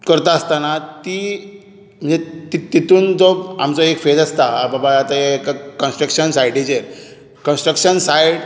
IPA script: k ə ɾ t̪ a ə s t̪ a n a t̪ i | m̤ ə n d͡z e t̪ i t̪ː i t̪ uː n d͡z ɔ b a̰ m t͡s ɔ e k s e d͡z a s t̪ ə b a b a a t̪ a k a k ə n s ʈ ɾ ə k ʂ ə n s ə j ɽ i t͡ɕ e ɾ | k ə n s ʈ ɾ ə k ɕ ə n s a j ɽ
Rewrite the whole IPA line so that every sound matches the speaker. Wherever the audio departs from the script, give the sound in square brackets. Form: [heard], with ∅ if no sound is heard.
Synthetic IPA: k ə ɾ t̪ a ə s t̪ a n a t̪ i | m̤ ə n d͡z e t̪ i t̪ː i t̪ uː n d͡z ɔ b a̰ m t͡s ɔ e k [f] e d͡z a s t̪ [a] b a b a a t̪ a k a k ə n s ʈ ɾ ə k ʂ ə n s [a] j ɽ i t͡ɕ e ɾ | k ə n s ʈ ɾ ə k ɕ ə n s a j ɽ